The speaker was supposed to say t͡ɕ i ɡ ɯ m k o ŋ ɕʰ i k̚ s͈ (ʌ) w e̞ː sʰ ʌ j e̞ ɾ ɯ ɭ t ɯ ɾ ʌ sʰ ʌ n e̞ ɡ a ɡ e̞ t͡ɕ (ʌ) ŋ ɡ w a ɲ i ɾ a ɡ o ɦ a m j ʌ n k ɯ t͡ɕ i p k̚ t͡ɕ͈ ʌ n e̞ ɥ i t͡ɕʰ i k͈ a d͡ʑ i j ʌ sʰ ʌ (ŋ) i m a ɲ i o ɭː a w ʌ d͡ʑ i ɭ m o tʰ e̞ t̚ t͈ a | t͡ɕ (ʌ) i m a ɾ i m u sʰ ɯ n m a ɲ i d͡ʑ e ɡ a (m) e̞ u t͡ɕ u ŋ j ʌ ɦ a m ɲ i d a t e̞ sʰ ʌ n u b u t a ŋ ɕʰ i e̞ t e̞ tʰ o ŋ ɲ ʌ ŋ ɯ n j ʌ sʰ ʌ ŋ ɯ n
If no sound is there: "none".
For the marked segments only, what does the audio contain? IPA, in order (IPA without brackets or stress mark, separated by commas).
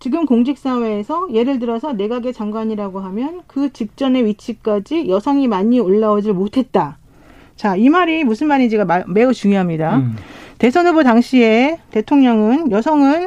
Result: a, a, ŋ, a, m